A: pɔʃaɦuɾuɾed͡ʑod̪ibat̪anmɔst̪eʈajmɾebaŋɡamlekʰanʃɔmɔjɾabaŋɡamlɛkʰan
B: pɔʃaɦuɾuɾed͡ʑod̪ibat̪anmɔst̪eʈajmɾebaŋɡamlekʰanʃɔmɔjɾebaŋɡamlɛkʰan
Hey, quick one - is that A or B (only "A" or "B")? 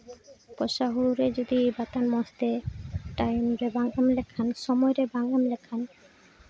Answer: B